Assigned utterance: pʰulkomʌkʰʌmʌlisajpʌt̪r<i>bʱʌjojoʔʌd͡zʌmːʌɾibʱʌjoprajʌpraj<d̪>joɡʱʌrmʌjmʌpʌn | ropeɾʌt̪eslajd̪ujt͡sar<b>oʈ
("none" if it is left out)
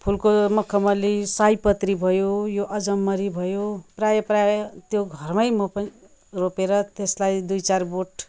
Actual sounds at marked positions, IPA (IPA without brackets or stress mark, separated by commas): i, t̪, b